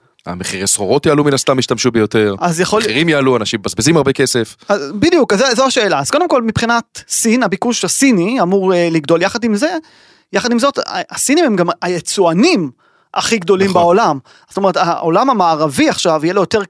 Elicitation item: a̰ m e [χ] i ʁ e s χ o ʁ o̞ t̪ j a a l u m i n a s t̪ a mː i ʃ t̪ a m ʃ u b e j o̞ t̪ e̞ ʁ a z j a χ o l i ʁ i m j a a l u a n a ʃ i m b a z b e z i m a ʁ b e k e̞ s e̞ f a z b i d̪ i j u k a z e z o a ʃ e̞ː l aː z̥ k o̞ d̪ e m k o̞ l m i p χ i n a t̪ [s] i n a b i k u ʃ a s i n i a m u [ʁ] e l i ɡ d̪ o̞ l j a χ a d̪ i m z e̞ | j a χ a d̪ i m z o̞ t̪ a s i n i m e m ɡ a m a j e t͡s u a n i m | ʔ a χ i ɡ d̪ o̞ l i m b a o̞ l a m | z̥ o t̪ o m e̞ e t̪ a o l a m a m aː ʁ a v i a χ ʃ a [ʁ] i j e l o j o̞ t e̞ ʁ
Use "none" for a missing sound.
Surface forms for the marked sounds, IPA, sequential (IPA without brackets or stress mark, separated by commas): χ, s, ʁ, v